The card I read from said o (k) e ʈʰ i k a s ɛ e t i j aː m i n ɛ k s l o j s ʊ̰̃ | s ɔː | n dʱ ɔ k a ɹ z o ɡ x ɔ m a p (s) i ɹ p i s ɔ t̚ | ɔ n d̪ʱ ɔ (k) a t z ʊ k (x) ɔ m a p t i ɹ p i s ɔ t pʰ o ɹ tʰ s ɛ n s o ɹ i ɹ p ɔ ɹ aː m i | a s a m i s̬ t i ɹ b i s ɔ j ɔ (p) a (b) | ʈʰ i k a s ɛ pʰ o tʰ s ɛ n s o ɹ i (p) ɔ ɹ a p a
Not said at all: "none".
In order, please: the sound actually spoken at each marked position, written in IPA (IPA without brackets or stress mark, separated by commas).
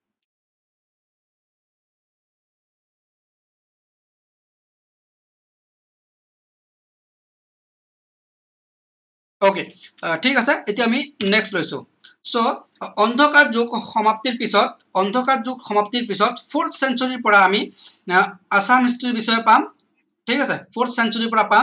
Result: k, t, k, x, p, m, p